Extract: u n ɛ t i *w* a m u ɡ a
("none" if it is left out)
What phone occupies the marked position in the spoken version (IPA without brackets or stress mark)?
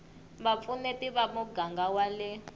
β